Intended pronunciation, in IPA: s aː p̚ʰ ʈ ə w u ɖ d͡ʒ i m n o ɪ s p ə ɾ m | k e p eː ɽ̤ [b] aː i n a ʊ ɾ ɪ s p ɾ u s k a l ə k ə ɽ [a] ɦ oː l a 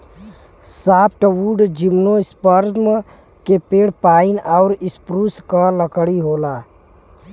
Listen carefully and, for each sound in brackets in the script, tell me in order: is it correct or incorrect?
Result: incorrect: p, incorrect: i

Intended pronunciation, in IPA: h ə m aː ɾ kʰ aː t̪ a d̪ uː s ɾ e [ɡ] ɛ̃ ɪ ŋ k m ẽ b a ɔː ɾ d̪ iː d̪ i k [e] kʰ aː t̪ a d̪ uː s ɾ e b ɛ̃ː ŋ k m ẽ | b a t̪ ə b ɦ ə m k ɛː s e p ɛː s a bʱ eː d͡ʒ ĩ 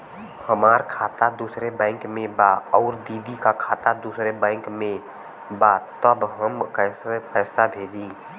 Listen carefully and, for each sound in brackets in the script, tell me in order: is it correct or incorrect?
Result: incorrect: b, incorrect: a

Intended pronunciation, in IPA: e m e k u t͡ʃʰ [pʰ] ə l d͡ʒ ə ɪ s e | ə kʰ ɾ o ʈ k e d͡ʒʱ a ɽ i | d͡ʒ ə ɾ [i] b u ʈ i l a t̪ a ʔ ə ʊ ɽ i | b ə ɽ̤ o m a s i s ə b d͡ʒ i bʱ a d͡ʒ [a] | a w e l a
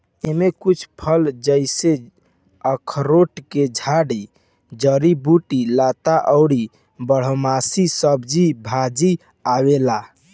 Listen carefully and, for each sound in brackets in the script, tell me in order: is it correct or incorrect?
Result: correct, correct, incorrect: i

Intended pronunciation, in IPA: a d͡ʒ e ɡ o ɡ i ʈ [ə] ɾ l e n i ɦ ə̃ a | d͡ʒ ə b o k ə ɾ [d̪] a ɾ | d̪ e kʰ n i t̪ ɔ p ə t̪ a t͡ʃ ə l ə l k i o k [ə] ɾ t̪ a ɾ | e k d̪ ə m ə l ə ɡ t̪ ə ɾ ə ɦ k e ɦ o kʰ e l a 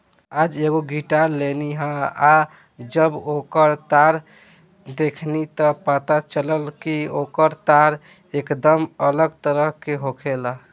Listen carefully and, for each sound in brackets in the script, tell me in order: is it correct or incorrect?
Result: incorrect: a, incorrect: t̪, correct

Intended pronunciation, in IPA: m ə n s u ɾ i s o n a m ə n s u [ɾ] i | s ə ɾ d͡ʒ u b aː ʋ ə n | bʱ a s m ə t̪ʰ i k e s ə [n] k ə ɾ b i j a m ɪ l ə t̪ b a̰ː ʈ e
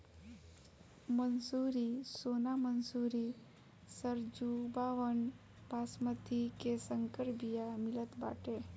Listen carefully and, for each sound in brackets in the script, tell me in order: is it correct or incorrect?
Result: correct, incorrect: ŋ

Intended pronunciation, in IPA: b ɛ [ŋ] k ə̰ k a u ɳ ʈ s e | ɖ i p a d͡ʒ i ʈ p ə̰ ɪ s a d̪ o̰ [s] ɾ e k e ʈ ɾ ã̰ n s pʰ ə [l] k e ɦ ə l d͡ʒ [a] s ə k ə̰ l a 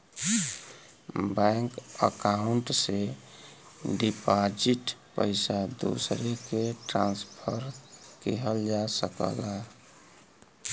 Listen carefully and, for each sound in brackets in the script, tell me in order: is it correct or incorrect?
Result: correct, correct, incorrect: ɾ, correct

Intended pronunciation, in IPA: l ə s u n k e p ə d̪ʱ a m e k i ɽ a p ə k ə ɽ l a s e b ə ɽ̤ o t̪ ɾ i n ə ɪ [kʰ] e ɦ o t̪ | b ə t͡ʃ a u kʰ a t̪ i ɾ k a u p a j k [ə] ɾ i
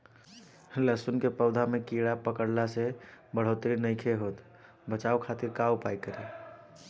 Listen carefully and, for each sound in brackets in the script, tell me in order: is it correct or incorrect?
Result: correct, correct

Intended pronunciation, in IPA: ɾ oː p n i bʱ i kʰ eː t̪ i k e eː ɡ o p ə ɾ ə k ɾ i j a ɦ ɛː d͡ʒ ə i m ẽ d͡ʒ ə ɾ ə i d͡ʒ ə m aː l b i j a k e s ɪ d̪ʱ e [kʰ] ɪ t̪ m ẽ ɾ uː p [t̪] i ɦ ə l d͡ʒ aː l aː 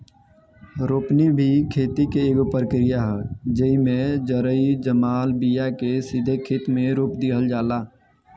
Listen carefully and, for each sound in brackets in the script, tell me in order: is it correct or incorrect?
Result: correct, incorrect: d̪

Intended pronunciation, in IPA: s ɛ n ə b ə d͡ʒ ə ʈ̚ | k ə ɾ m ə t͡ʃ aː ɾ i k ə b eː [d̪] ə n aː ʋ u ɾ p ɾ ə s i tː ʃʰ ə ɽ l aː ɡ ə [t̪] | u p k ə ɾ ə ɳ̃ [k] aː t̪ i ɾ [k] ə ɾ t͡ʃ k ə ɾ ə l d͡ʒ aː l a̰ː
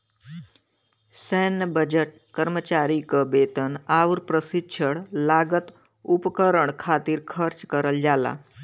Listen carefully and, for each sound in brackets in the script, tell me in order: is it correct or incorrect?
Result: incorrect: t̪, correct, incorrect: kʰ, incorrect: kʰ

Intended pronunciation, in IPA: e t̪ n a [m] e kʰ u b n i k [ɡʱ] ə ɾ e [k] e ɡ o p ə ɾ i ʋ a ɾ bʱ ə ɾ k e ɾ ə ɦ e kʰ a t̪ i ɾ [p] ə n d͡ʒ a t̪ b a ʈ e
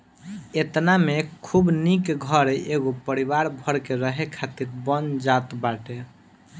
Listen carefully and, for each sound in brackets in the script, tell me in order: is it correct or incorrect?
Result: correct, correct, incorrect: none, incorrect: b

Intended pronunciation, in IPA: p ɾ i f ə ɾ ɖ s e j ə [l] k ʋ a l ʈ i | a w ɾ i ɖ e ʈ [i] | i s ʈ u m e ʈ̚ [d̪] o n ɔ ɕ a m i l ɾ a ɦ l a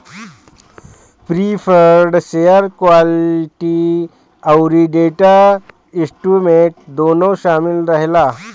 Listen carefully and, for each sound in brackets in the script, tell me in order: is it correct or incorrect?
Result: incorrect: ɾ, incorrect: a, correct

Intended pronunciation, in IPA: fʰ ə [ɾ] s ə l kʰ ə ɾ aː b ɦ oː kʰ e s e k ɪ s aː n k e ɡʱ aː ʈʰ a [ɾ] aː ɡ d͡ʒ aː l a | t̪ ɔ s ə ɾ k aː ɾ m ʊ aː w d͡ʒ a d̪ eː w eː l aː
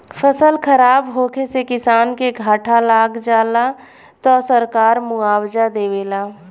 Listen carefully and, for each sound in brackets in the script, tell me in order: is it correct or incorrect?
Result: incorrect: none, incorrect: l

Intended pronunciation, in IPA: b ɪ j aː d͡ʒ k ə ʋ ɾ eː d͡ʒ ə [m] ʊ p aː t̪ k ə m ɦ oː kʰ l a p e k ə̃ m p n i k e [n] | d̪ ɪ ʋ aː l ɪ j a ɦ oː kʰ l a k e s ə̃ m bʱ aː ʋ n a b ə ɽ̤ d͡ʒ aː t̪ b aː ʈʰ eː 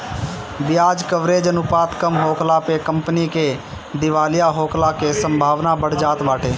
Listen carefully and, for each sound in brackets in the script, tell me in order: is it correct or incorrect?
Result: incorrect: n, incorrect: none

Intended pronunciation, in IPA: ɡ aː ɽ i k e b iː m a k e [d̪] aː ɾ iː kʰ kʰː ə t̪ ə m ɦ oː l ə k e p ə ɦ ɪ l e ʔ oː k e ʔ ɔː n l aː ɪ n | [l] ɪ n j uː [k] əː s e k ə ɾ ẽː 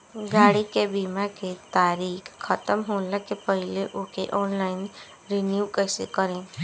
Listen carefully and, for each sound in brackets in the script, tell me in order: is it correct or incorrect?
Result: incorrect: t̪, incorrect: ɾ, correct

